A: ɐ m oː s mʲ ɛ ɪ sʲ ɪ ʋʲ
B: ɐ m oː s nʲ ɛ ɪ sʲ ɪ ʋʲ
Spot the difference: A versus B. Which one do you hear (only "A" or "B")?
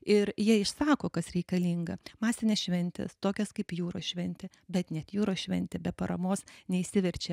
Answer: B